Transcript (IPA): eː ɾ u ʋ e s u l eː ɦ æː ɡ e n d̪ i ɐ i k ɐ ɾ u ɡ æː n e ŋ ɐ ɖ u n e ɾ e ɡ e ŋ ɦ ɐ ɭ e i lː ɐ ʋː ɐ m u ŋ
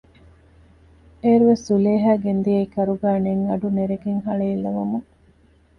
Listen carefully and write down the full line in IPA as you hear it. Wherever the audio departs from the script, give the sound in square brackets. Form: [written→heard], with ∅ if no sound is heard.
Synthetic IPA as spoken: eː ɾ u ʋ e s u l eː ɦ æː ɡ e n d̪ i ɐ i k ɐ ɾ u ɡ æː n e ŋ ɐ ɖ u n e ɾ e ɡ e ŋ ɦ ɐ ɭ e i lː ɐ [ʋː→ʋ] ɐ m u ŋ